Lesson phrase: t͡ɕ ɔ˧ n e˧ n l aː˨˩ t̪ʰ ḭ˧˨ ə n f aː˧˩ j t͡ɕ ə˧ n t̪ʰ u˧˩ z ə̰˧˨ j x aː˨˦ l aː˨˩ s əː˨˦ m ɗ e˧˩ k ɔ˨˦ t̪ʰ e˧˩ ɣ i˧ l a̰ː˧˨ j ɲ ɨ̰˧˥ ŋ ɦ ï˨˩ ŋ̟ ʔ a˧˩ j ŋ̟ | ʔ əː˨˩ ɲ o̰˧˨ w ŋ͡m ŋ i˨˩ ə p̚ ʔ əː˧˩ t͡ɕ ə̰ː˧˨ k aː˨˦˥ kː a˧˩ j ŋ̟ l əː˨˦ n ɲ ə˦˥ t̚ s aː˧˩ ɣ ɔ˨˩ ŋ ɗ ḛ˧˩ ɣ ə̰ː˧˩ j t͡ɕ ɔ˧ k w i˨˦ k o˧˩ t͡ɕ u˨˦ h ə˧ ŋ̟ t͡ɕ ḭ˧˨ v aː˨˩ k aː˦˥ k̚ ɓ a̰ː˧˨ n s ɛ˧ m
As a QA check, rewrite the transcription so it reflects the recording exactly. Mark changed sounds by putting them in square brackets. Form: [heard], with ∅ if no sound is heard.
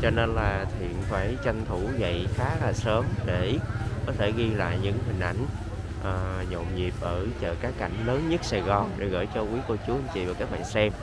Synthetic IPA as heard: t͡ɕ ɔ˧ n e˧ n l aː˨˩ t̪ʰ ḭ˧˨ ə n f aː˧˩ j t͡ɕ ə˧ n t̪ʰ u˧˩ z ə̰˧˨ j x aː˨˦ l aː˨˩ s əː˨˦ m ɗ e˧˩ k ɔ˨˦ t̪ʰ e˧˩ ɣ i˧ l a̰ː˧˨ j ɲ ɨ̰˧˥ ŋ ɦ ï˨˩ ŋ̟ ʔ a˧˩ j ŋ̟ | ʔ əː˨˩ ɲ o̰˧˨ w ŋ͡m [ɲ] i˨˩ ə p̚ ʔ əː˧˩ t͡ɕ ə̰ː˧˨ k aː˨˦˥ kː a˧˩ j ŋ̟ l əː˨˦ n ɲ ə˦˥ t̚ s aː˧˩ ɣ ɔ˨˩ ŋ ɗ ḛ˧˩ ɣ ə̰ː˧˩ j t͡ɕ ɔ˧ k w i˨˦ k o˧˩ t͡ɕ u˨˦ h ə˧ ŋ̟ t͡ɕ ḭ˧˨ v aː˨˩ k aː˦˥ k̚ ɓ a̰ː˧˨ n s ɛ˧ m